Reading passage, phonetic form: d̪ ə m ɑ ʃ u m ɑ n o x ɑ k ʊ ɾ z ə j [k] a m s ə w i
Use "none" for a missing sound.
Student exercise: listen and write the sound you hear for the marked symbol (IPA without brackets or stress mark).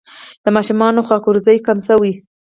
k